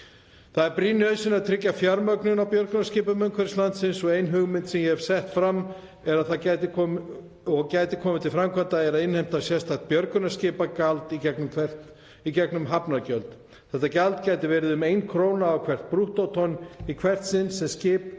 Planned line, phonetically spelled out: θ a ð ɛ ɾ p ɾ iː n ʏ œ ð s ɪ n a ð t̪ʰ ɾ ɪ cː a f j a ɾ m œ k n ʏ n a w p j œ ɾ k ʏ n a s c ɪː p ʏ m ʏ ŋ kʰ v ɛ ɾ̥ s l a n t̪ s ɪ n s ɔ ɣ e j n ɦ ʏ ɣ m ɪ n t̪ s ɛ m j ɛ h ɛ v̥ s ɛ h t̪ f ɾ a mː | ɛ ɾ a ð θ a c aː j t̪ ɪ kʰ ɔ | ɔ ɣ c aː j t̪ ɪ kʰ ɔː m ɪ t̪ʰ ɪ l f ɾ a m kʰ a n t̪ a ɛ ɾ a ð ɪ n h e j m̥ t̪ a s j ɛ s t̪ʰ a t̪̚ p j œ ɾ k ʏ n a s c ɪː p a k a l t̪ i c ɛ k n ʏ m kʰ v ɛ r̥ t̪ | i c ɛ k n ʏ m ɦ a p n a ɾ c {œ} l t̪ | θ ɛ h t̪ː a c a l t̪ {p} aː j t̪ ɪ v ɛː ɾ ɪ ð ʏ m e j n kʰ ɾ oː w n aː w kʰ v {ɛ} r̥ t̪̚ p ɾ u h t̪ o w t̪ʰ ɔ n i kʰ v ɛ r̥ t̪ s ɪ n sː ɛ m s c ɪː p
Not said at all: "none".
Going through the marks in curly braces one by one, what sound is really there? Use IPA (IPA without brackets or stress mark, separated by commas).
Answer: œ, c, ɛ